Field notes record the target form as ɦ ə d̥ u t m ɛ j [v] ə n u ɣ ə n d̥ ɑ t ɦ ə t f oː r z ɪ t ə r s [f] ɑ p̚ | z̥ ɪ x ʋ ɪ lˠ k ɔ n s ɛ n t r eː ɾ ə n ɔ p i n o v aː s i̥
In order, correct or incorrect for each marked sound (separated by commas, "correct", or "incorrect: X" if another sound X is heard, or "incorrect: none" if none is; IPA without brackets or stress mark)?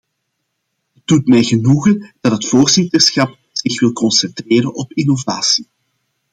incorrect: ɣ, incorrect: x